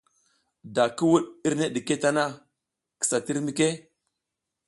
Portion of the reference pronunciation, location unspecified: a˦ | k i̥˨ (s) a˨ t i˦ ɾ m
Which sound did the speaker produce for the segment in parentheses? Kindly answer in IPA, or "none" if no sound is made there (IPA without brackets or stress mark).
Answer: s